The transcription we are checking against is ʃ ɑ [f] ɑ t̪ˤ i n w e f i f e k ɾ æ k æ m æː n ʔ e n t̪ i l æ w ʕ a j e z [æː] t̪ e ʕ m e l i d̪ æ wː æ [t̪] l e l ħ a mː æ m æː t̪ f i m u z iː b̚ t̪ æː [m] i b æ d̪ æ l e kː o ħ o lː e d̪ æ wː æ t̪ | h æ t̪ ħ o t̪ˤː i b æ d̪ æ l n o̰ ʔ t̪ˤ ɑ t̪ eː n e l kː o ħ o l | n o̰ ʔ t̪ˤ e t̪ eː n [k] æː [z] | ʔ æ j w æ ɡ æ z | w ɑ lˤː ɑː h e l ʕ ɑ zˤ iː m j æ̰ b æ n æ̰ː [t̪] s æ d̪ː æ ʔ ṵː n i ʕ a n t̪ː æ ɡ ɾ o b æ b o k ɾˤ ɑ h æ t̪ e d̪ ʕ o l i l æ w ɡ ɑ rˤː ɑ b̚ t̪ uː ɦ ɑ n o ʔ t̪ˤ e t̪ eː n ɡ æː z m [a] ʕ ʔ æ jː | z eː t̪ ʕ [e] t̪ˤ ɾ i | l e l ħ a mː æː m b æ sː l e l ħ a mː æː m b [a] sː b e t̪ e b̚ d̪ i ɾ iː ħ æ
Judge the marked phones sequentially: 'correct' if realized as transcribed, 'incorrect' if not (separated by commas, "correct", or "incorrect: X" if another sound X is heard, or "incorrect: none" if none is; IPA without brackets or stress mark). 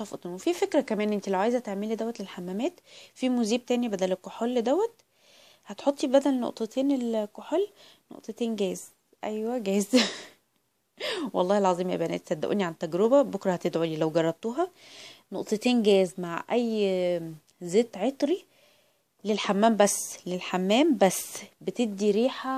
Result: correct, incorrect: æ, correct, incorrect: n, incorrect: ɡ, correct, correct, correct, correct, incorrect: æ